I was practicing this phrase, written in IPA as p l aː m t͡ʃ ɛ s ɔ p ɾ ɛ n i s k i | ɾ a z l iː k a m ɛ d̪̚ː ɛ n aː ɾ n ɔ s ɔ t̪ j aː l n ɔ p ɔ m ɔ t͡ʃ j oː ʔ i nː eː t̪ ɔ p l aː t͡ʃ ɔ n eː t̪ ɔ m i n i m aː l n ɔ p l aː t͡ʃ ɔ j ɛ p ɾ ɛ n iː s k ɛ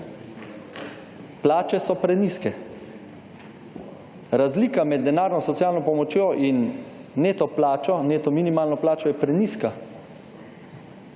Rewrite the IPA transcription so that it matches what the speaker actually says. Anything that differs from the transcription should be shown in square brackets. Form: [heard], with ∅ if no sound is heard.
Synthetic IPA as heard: p l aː [∅] t͡ʃ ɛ s ɔ p ɾ ɛ n i s k [ɛ] | ɾ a z l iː k a m ɛ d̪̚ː ɛ n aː ɾ n ɔ s ɔ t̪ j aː l n ɔ p ɔ m ɔ t͡ʃ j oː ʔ i nː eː t̪ ɔ p l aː t͡ʃ ɔ n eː t̪ ɔ m i n i m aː l n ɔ p l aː t͡ʃ ɔ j ɛ p ɾ ɛ n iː s k [a]